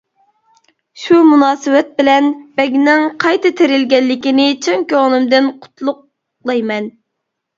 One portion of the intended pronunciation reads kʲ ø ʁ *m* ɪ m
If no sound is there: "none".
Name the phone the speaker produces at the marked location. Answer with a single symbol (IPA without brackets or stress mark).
n